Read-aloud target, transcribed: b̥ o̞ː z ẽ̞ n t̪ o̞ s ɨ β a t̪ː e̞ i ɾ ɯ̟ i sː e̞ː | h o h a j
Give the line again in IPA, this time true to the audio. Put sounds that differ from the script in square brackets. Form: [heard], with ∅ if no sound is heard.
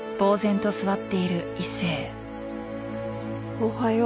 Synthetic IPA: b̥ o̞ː z ẽ̞ n t̪ o̞ s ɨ β a t̪ː e̞ i ɾ ɯ̟ i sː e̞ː | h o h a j